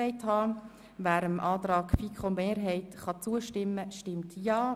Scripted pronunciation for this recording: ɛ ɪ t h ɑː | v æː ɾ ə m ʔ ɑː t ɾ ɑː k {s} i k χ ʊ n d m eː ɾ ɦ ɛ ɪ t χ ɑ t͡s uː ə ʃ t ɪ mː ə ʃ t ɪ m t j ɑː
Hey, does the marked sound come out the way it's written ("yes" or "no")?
no